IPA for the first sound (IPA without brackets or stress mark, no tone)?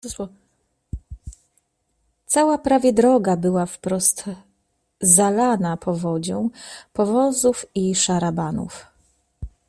t̪